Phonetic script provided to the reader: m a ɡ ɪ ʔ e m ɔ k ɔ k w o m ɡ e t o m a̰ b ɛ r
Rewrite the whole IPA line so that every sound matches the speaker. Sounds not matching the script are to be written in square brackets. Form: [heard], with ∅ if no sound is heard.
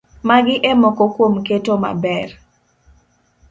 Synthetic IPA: m a ɡ ɪ ʔ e m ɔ k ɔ k w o m [k] e t o m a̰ b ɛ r